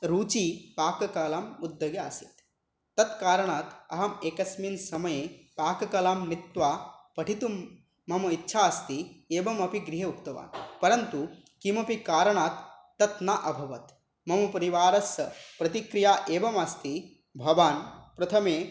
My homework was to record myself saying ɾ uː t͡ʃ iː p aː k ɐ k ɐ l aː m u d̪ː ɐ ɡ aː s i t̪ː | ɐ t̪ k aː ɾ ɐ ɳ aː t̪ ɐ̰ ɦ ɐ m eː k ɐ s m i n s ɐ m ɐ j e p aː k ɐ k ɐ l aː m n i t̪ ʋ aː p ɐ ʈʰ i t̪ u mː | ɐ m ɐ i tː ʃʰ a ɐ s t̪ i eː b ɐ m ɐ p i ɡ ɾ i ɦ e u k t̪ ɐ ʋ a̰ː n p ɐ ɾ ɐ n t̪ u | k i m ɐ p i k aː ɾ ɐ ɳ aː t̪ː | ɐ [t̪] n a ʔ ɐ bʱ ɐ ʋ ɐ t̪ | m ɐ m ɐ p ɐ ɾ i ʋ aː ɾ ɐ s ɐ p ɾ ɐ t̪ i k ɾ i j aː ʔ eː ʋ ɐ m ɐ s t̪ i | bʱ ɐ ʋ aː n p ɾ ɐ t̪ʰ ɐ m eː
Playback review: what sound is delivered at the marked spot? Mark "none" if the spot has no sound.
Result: t̪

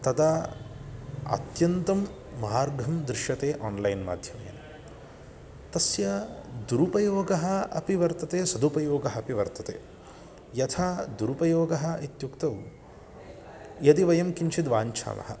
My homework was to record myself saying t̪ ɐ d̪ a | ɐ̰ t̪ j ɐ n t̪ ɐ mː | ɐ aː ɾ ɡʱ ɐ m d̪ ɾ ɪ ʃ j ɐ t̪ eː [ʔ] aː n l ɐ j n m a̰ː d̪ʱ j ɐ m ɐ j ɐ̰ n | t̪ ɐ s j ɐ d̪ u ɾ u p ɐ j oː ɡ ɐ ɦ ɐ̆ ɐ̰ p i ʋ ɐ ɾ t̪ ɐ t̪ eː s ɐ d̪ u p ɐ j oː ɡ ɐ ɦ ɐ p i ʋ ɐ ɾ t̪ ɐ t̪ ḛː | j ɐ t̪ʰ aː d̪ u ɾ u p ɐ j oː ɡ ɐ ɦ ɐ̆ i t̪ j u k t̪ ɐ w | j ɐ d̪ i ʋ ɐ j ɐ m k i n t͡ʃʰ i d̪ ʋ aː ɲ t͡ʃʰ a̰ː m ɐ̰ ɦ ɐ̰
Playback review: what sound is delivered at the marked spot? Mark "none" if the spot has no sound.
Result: ʔ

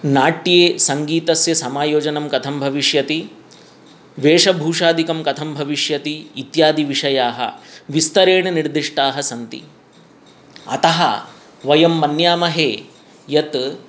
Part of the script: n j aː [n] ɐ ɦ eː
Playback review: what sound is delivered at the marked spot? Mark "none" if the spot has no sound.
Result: m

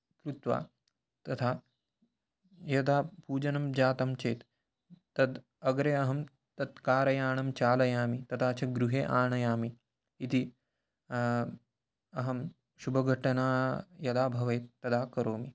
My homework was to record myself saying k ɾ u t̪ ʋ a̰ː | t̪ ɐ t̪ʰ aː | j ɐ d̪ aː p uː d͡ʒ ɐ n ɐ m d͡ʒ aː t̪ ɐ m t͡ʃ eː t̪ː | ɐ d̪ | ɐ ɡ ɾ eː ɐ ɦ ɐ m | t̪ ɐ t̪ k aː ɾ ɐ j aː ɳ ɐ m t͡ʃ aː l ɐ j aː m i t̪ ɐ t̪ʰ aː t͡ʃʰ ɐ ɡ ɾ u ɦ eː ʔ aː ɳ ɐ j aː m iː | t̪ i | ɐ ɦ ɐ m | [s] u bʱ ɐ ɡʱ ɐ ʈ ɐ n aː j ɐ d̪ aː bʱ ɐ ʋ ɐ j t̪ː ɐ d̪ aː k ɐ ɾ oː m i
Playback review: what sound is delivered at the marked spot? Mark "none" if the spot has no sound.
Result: ʃ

